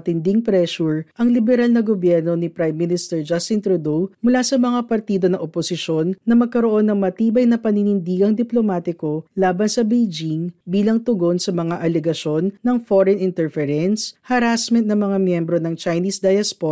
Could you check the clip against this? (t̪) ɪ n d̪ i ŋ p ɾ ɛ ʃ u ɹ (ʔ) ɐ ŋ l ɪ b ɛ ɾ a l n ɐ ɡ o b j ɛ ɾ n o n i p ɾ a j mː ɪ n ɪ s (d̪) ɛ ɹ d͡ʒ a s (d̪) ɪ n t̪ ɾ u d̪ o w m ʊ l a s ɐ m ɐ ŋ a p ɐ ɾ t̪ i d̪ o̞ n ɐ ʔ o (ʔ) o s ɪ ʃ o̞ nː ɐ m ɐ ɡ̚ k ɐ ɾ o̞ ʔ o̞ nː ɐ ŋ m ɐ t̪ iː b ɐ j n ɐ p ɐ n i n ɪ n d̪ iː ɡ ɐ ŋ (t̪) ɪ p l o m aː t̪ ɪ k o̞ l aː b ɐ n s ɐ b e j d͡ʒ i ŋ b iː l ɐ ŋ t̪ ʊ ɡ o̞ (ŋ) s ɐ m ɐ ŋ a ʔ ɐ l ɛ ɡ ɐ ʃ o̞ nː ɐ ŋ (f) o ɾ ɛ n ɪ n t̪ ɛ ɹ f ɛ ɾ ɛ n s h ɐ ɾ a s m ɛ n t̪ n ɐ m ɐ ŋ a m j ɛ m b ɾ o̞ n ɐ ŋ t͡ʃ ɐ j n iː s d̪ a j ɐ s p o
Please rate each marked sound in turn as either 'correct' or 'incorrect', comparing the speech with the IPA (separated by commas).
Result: correct, correct, incorrect, incorrect, incorrect, incorrect, incorrect, correct